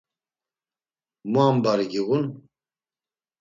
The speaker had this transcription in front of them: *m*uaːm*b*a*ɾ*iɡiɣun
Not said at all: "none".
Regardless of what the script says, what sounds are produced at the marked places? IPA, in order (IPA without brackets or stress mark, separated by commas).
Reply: m, b, ɾ